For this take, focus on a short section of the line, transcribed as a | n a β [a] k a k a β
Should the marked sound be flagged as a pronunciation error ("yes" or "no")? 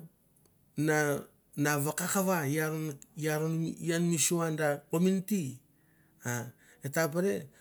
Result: no